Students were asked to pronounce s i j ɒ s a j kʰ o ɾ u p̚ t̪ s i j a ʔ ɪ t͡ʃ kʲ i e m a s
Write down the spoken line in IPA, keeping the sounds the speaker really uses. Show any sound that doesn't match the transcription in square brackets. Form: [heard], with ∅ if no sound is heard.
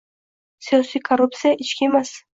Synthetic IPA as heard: s i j ɒ s [i] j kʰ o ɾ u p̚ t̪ s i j a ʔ ɪ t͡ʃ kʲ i e m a s

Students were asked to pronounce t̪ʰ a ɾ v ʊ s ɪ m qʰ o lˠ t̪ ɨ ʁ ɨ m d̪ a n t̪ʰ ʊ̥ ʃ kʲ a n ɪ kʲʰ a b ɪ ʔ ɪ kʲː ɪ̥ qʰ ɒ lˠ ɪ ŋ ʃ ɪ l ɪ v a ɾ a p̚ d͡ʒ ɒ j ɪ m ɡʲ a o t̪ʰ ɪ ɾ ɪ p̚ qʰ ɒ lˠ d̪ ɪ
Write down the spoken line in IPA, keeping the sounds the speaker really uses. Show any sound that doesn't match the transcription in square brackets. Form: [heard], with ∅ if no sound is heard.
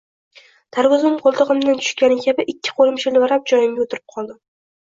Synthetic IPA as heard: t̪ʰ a ɾ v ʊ [z] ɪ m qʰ o lˠ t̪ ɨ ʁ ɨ m d̪ a n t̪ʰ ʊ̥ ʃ kʲ a n ɪ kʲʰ a b ɪ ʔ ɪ kʲː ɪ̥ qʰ [o] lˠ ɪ [m] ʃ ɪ l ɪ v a ɾ a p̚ d͡ʒ ɒ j ɪ m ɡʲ a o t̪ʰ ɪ ɾ ɪ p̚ qʰ ɒ lˠ d̪ ɪ

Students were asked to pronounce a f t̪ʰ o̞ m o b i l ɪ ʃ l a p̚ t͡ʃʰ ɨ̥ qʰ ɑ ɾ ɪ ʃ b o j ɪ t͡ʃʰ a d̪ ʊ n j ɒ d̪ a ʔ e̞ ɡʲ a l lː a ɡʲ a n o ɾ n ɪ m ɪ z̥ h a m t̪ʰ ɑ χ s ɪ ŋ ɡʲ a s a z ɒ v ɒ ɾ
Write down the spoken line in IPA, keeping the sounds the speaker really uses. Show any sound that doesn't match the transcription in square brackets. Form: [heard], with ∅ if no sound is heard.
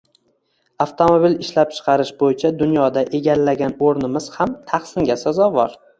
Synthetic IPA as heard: a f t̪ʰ o̞ m o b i l ɪ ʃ l a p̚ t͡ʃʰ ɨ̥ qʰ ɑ ɾ ɪ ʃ b o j ɪ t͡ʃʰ a d̪ ʊ n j ɒ d̪ a ʔ e̞ ɡʲ a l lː a ɡʲ a n o ɾ n ɪ m ɪ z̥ h a m t̪ʰ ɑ χ s ɪ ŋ ɡʲ a s a z ɒ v ɒ ɾ

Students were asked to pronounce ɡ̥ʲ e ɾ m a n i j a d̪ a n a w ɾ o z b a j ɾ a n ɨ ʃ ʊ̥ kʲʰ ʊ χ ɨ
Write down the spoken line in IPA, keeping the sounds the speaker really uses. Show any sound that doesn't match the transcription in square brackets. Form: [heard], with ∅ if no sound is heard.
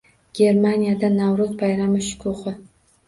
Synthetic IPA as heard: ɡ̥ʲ e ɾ m a n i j a d̪ a n a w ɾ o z b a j ɾ a [m] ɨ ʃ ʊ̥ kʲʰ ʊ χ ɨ

